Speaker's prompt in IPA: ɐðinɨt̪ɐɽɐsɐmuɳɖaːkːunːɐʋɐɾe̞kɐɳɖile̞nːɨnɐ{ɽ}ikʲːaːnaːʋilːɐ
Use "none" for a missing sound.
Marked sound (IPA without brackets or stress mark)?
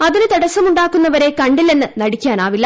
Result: ɽ